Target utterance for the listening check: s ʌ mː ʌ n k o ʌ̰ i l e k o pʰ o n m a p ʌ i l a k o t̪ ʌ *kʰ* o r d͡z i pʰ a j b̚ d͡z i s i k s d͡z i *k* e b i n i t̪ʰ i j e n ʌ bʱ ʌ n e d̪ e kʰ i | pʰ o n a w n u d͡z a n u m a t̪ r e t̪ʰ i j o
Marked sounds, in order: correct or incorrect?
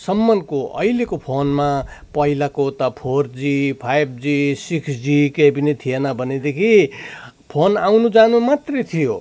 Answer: incorrect, correct

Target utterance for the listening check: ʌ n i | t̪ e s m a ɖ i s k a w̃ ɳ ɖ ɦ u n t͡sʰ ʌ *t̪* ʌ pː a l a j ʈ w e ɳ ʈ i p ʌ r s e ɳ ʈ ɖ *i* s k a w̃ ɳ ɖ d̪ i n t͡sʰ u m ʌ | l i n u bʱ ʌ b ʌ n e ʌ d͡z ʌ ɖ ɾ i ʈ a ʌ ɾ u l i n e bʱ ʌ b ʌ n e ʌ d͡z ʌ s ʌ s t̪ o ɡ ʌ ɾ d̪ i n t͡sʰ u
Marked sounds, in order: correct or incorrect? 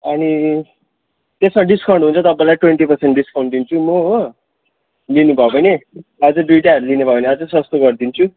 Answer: correct, correct

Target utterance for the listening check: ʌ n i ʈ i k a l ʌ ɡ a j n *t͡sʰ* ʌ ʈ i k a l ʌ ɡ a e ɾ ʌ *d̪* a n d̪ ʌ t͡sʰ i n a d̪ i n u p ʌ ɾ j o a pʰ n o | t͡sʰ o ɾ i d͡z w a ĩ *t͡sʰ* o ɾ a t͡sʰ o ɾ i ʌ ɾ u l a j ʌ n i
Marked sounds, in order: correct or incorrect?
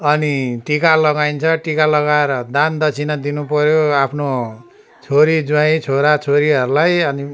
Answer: correct, correct, correct

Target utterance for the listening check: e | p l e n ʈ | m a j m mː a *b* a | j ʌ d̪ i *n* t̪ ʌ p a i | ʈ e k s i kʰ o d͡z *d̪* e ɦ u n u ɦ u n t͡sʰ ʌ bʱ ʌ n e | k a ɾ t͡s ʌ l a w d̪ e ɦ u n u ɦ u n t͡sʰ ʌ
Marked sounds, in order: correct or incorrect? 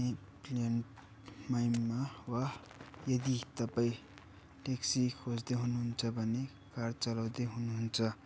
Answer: incorrect, incorrect, correct

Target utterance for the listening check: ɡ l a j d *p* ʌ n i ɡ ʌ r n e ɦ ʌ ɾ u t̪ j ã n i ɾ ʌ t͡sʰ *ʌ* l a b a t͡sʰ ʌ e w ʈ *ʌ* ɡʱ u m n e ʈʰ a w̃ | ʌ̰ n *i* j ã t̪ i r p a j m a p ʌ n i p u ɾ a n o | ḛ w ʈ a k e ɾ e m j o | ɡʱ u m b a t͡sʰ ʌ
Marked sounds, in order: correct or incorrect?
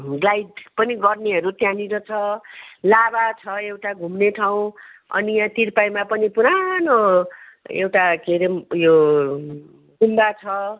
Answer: correct, correct, incorrect, correct

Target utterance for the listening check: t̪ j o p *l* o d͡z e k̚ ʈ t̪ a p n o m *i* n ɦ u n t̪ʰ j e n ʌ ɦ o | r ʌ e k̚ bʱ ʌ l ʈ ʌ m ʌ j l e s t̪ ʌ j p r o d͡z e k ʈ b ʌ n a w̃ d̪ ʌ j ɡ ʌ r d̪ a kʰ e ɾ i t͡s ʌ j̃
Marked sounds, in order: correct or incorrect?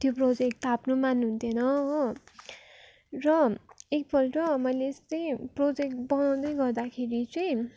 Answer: incorrect, incorrect

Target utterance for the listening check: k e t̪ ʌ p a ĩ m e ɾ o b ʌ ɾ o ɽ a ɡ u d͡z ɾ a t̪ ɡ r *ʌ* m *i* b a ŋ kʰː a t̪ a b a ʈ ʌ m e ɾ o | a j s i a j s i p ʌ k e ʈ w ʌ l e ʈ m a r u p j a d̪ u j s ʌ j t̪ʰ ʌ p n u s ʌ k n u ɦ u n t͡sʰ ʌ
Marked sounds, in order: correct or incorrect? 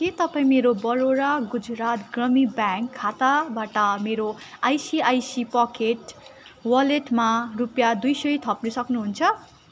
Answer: correct, correct

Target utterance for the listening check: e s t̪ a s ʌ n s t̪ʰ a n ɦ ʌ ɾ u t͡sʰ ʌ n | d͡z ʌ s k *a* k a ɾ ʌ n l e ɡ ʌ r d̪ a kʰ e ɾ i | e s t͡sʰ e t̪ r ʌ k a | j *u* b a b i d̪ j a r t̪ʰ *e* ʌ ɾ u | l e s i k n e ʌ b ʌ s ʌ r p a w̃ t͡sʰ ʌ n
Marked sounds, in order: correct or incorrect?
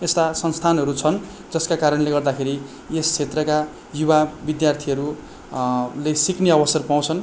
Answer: correct, correct, incorrect

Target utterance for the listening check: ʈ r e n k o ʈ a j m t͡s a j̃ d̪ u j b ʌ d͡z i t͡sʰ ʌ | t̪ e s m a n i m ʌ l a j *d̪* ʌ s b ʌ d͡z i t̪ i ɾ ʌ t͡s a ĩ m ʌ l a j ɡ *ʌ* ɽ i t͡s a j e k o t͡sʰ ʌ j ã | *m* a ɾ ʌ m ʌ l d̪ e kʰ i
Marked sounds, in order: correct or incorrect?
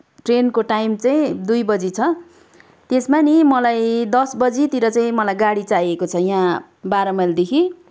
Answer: correct, incorrect, incorrect

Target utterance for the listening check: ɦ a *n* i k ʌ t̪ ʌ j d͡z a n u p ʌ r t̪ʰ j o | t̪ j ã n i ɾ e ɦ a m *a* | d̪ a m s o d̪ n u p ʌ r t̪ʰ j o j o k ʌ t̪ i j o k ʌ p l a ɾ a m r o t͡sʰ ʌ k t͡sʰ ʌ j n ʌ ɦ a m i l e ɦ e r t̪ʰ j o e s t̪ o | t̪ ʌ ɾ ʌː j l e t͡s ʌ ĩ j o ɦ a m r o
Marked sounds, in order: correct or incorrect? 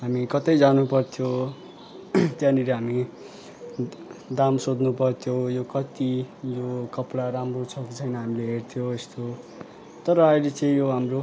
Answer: incorrect, incorrect

